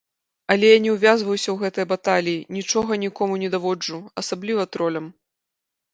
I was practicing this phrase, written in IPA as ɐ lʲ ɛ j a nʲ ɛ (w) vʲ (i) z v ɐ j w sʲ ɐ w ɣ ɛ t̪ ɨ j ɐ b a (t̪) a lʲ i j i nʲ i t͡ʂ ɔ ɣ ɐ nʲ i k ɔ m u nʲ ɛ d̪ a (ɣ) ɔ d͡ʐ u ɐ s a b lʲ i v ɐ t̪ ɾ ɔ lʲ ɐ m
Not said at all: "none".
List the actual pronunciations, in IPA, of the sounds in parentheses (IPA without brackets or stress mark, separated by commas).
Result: w, a, t̪, v